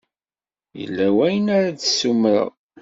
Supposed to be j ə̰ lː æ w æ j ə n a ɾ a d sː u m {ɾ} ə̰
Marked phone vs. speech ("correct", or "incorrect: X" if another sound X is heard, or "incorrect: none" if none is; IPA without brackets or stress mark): correct